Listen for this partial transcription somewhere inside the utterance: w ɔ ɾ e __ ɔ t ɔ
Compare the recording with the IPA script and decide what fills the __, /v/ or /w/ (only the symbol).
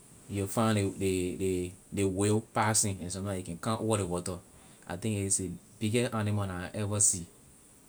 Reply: w